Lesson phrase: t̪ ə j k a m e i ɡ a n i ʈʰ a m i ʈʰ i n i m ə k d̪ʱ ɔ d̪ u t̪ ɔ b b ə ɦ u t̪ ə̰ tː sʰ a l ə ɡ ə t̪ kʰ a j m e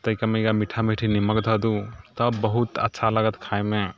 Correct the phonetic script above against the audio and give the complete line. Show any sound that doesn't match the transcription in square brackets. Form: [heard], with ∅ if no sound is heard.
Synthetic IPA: t̪ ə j k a m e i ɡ a [m] i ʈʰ a m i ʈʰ i n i m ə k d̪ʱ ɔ d̪ u t̪ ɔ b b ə ɦ u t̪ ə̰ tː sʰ a l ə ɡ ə t̪ kʰ a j m e